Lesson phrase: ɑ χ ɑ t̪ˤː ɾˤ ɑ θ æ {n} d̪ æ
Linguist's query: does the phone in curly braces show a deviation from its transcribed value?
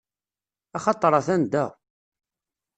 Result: no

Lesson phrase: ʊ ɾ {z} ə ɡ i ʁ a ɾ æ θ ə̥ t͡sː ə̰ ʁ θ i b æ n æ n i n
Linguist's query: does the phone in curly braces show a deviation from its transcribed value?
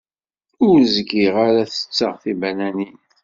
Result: no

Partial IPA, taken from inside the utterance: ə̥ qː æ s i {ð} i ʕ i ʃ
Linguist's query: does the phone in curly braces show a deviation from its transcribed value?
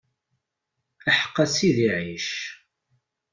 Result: no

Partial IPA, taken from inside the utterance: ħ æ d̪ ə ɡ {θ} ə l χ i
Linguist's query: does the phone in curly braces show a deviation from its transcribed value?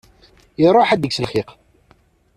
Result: yes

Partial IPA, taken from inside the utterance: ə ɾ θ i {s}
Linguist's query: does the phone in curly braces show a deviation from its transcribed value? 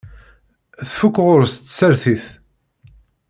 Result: yes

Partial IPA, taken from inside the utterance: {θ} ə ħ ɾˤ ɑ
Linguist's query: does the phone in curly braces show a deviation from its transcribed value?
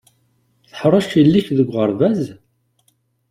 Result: no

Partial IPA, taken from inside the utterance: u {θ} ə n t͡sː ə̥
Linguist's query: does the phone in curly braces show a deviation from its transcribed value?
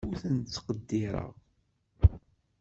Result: no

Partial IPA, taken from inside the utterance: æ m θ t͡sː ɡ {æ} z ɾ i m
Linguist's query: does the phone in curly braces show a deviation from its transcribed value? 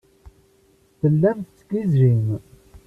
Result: yes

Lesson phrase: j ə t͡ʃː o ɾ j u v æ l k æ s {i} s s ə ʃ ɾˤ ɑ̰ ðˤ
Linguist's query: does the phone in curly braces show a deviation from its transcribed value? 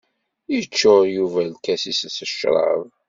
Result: no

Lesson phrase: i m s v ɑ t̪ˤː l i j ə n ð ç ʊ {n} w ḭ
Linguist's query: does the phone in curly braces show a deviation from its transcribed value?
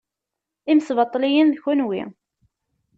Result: no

